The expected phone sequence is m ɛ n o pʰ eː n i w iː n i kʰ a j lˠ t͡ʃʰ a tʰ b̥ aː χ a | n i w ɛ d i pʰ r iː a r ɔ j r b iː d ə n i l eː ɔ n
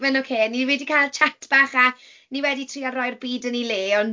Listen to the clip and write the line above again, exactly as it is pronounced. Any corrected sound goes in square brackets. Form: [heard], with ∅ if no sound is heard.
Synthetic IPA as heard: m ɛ n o [kʰ] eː n i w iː [d] i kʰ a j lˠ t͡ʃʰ a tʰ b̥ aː χ a | n i w ɛ d i [tʰ] r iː a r ɔ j r b iː d ə n i l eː ɔ n

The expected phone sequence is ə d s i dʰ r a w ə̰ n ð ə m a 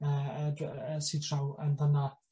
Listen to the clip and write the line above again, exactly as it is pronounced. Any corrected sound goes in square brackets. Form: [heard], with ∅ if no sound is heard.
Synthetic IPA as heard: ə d s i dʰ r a w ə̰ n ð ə [n] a

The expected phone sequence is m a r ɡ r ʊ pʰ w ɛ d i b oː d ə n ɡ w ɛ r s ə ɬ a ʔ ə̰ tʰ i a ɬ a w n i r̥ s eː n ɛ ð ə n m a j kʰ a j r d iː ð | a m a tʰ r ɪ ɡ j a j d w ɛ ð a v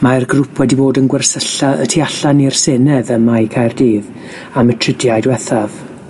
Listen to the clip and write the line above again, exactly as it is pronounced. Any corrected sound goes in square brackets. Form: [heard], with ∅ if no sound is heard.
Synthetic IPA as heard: m a r ɡ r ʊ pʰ w ɛ d i b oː d ə n ɡ w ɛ r s ə ɬ a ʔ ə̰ tʰ i a ɬ a [∅] n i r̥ s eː n ɛ ð ə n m a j kʰ a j r d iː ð | a m [ə] tʰ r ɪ [d] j a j d w ɛ [θ] a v

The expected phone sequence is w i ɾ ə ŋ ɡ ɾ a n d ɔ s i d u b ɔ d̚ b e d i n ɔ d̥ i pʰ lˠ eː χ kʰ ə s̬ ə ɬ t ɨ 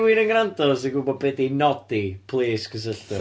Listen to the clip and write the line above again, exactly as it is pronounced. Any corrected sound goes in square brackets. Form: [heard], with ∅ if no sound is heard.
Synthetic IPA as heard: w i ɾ ə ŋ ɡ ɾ a n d ɔ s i [ɡ] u b ɔ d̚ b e d i n ɔ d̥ i pʰ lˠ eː [s] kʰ ə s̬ ə ɬ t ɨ

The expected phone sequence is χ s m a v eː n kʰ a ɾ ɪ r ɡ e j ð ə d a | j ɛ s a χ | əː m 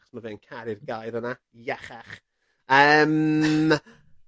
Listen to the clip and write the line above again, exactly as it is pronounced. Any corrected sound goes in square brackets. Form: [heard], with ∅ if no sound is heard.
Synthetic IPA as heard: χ s m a v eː n kʰ a ɾ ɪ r ɡ [a] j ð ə [n] a | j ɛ [χ] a χ | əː m

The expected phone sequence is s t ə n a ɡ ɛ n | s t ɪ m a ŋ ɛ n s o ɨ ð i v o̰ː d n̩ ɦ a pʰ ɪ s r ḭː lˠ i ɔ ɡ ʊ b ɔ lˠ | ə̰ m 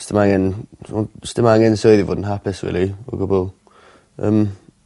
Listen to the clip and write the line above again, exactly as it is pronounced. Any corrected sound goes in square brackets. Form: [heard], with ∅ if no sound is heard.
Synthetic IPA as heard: s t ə [m] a [ŋ] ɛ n | s t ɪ m a ŋ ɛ n s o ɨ ð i v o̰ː d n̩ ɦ a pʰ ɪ s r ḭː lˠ i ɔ ɡ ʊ b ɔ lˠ | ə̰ m

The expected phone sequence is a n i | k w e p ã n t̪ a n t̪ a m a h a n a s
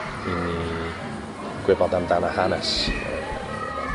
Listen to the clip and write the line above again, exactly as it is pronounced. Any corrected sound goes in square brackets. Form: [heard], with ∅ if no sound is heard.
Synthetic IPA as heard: [i] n i | k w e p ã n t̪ a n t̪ a [n] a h a n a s

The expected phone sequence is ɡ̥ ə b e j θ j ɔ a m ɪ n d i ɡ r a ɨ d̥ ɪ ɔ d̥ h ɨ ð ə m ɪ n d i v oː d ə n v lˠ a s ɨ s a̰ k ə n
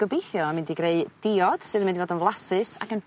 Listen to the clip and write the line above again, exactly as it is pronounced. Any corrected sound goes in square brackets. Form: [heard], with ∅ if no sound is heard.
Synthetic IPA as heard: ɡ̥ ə b e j θ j ɔ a m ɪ n d i ɡ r [e] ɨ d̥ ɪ ɔ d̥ [s] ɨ ð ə m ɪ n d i v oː d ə n v lˠ a s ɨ s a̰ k ə n

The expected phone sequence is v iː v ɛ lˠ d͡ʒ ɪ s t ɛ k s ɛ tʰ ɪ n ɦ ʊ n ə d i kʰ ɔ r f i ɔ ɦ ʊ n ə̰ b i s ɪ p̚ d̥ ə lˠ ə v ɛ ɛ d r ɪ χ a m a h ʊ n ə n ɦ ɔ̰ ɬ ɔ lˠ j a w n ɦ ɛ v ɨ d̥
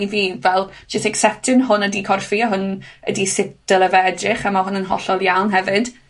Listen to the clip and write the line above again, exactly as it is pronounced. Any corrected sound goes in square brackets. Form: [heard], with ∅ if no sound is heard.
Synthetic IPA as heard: v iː v ɛ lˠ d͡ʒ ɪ s t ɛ k s ɛ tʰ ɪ n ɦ ʊ n ə d i kʰ ɔ r f i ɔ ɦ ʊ n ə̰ [d] i s ɪ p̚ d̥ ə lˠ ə v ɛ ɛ d r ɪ χ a m a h ʊ n ə n ɦ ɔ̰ ɬ ɔ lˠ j a w n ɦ ɛ v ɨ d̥

